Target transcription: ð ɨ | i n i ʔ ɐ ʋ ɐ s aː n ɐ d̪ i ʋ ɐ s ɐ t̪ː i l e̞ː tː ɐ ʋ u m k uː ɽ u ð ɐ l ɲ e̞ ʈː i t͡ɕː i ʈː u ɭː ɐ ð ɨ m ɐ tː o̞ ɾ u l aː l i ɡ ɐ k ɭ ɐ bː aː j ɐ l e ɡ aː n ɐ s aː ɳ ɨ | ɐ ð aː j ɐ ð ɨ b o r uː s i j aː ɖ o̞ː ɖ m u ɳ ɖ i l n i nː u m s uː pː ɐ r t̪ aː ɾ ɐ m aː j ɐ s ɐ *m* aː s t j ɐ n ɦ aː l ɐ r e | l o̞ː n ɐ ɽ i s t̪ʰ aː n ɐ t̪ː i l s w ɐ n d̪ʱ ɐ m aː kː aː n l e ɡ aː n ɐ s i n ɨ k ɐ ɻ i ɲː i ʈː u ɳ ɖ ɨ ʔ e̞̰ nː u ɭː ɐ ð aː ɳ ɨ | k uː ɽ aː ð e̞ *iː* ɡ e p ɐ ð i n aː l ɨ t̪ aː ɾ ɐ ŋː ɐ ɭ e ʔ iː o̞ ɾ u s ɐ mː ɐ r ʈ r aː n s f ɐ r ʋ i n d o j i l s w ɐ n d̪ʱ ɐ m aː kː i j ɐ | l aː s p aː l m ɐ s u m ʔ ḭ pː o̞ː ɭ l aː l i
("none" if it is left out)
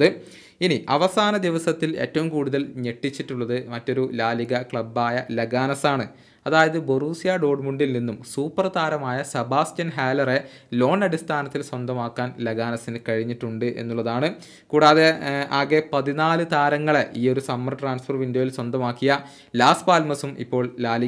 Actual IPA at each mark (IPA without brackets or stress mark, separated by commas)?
b, aː